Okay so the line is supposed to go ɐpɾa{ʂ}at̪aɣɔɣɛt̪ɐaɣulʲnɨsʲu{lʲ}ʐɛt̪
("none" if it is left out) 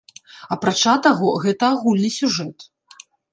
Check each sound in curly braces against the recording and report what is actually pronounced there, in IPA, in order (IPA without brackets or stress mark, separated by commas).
t͡ʂ, none